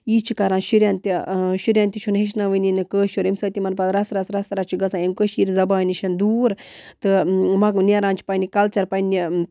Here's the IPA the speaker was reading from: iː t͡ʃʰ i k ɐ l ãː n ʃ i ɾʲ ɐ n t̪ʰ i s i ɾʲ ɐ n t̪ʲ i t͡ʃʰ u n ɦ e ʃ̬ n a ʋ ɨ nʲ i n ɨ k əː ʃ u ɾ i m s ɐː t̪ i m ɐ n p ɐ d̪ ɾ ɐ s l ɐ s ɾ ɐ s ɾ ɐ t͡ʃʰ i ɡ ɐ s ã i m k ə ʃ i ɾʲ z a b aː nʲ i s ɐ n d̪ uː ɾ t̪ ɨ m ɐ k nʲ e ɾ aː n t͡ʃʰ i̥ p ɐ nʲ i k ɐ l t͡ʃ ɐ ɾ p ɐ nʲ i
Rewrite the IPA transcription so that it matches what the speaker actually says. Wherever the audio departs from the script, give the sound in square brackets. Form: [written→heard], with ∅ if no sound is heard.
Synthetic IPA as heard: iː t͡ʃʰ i k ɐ [l→ɾ] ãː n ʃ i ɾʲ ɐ n [t̪ʰ→t̪] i [s→ʃ] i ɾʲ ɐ n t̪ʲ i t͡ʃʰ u n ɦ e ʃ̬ n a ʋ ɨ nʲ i n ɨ k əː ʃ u ɾ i m s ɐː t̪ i m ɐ n p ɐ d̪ ɾ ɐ s [l→ɾ] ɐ s ɾ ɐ s ɾ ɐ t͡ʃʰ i ɡ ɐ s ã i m k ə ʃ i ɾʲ z [a→ɐ] b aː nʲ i [s→ʃ] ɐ n d̪ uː ɾ t̪ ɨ m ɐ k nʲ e ɾ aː n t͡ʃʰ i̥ p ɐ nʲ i k ɐ l t͡ʃ ɐ ɾ p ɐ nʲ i